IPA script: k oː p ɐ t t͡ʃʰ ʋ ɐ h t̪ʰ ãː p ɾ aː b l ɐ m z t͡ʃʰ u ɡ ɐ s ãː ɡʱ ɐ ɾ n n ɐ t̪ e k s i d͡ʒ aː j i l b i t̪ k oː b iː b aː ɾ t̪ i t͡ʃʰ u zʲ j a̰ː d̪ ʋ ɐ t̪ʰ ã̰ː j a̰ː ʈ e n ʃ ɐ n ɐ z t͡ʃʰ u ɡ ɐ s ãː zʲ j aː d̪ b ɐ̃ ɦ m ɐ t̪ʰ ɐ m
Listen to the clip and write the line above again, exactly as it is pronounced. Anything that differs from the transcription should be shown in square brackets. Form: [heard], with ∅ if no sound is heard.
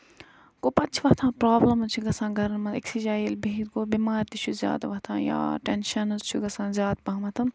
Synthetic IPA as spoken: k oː p ɐ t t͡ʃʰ ʋ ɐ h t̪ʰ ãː p ɾ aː b l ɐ m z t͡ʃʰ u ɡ ɐ s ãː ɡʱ ɐ ɾ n [m] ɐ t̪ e k s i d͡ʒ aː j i l b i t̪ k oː b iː [m] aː ɾ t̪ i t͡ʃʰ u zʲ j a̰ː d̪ ʋ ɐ t̪ʰ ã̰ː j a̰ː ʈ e n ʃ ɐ n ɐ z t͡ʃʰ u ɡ ɐ s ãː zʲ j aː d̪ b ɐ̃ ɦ m ɐ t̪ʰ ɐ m

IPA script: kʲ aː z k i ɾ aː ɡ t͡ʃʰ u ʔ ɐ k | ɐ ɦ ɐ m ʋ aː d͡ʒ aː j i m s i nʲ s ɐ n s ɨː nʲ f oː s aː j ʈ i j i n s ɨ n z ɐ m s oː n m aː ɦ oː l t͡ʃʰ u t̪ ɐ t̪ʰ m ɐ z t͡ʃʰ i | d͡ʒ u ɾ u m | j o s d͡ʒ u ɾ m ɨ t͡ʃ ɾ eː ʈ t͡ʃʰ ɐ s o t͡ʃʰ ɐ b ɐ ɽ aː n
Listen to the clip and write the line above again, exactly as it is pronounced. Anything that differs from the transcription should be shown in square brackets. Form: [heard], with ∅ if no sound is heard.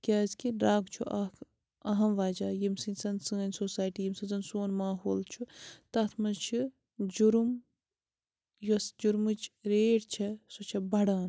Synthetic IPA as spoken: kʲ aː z k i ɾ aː ɡ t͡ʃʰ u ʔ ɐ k | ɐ ɦ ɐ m ʋ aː d͡ʒ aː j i m s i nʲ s ɐ n s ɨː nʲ [s] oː s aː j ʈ i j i [m] s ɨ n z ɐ [n] s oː n m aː ɦ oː l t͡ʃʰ u t̪ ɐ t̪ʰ m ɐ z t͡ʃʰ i | d͡ʒ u ɾ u m | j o s d͡ʒ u ɾ m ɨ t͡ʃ ɾ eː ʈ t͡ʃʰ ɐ s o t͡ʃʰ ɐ b ɐ ɽ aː n

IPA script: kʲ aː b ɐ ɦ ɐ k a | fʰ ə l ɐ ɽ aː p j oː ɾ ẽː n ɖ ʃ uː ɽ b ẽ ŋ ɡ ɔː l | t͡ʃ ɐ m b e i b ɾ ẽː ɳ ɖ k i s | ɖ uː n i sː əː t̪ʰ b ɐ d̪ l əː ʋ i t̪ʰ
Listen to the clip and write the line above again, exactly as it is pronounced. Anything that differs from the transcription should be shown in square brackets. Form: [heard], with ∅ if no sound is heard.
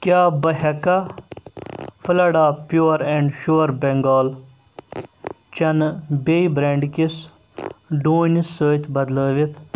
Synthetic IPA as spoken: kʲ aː b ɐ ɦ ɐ k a | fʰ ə l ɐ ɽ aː p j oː ɾ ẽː [ɳ] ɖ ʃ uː [ɾ] b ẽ ŋ ɡ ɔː l | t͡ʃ ɐ [n] b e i b ɾ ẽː ɳ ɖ k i s | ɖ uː n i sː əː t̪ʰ b ɐ d̪ l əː ʋ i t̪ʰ

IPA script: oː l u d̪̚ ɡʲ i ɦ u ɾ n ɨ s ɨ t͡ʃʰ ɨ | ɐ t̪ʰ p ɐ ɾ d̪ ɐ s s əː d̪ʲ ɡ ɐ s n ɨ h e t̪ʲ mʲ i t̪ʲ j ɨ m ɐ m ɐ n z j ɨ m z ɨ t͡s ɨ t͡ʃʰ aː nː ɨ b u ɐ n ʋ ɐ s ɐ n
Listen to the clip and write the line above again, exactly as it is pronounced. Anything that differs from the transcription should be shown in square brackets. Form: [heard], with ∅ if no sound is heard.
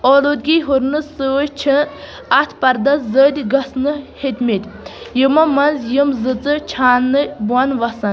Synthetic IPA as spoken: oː l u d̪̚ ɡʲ i ɦ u ɾ n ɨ s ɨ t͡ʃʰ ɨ | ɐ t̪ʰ p ɐ ɾ d̪ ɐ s [z] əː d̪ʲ ɡ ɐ s n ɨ h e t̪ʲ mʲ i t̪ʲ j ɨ m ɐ m ɐ n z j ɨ m z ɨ t͡s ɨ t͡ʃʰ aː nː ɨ b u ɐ n ʋ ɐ s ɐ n

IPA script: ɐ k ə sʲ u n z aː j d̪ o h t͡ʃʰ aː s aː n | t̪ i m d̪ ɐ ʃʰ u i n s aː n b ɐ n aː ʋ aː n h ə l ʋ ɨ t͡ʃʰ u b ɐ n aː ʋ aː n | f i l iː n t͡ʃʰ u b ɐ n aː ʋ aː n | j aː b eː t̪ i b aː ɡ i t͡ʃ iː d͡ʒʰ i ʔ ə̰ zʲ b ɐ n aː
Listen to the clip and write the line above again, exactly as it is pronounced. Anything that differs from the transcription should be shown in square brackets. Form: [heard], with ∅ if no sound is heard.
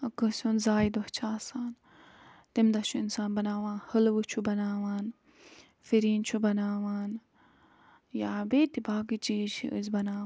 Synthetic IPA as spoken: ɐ k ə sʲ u n z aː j d̪ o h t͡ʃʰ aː s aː n | t̪ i m d̪ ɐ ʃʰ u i n s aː n b ɐ n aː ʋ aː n h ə l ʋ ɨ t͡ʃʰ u b ɐ n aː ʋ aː n | f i [ɾ] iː n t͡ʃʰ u b ɐ n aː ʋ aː n | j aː b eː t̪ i b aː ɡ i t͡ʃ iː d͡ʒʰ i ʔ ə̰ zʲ b ɐ n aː

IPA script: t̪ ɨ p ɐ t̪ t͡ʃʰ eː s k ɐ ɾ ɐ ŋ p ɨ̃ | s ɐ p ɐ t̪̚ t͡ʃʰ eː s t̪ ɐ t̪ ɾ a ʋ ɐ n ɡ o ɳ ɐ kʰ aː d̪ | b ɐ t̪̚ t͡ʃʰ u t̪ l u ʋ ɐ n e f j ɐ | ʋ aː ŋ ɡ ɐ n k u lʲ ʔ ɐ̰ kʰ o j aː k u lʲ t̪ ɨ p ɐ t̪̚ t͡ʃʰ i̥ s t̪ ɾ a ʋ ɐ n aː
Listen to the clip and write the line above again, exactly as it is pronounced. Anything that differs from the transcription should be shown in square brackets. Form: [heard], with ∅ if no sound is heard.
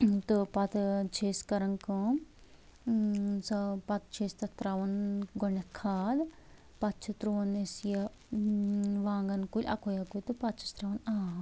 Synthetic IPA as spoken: t̪ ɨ p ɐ t̪ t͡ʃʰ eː s k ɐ ɾ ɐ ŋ [k] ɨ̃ | s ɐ p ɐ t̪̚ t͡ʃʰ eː s t̪ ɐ t̪ ɾ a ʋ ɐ n ɡ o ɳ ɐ kʰ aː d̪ | [p] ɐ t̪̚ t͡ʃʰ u t̪ [ɾ] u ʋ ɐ n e [s] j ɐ | ʋ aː ŋ ɡ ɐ n k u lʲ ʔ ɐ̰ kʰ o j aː k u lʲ t̪ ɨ p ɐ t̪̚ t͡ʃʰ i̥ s t̪ ɾ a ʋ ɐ n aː

